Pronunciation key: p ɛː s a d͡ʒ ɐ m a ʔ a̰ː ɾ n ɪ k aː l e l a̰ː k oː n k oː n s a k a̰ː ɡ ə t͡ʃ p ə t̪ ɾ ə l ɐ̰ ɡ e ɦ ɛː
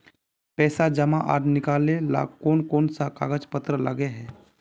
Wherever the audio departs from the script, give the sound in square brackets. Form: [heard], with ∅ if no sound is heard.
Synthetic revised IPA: p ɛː s a d͡ʒ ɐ m a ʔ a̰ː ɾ n ɪ k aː l e l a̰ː k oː n k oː n s a k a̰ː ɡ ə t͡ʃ p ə t̪ ɾ ə l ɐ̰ ɡ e ɦ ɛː

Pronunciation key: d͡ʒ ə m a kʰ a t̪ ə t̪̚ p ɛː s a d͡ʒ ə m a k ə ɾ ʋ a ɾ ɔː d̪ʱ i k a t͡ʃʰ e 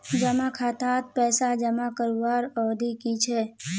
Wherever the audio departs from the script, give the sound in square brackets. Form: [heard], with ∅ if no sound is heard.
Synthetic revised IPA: d͡ʒ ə m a kʰ a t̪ [a] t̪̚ p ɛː s a d͡ʒ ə m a k ə ɾ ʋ a ɾ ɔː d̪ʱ i k [i] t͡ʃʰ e

